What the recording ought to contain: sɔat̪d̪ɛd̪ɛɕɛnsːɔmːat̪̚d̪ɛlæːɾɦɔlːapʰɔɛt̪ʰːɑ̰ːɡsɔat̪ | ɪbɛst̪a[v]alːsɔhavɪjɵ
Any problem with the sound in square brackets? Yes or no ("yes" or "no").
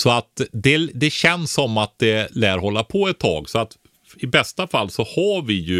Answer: yes